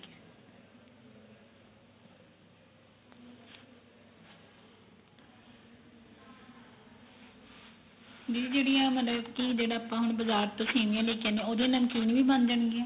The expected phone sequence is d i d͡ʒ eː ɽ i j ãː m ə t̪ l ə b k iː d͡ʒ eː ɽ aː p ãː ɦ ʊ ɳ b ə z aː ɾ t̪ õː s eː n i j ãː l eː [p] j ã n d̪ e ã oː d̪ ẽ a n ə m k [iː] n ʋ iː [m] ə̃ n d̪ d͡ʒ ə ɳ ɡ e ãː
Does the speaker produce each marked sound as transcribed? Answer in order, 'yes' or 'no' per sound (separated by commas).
no, yes, no